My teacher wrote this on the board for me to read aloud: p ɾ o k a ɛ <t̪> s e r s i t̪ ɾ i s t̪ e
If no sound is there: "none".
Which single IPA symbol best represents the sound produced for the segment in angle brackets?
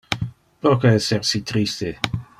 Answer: none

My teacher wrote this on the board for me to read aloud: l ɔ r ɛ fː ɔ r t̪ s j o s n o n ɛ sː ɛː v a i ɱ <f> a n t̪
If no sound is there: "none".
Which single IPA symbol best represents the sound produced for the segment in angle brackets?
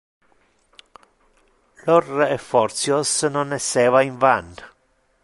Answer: v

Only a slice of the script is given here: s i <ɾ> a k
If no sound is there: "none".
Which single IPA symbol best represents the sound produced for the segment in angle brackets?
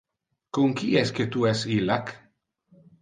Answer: l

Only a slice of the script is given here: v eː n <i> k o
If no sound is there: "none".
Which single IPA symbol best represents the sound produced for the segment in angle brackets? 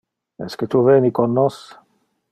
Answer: i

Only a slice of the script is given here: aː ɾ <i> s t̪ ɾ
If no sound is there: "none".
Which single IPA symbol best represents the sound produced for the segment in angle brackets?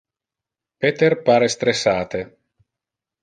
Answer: e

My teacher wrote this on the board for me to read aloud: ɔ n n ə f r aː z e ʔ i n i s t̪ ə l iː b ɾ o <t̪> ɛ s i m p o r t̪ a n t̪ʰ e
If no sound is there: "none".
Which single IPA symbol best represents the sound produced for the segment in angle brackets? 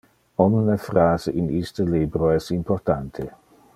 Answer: none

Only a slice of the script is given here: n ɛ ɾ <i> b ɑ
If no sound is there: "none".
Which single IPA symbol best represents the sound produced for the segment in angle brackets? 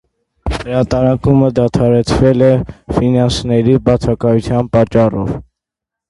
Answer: i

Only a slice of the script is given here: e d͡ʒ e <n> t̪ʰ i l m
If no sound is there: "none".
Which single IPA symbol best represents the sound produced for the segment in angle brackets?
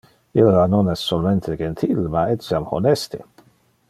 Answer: n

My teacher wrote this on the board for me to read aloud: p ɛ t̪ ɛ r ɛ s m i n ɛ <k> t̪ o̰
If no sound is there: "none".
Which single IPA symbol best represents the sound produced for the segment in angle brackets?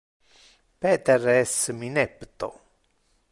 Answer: p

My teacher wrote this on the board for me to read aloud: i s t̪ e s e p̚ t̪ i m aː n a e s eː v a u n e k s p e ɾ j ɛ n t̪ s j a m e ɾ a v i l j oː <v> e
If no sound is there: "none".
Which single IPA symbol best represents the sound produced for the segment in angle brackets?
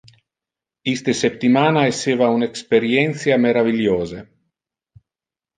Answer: z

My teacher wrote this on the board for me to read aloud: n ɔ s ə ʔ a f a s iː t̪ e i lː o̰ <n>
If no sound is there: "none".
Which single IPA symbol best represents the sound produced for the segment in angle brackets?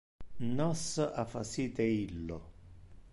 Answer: none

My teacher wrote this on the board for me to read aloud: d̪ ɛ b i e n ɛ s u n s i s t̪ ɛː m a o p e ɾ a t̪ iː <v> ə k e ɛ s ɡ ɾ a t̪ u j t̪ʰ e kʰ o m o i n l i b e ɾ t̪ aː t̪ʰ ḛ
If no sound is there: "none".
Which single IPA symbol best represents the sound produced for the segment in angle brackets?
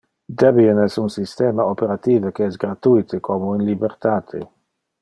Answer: v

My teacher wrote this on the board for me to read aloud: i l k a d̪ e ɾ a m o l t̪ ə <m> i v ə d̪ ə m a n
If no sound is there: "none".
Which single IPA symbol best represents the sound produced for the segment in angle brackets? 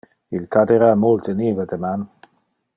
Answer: n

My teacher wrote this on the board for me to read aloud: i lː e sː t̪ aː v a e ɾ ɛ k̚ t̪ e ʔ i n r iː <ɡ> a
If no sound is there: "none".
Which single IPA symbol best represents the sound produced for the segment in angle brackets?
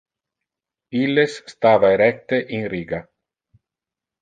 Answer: ɡ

